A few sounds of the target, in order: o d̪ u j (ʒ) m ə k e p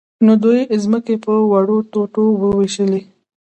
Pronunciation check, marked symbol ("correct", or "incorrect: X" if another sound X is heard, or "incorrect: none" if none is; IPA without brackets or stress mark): incorrect: z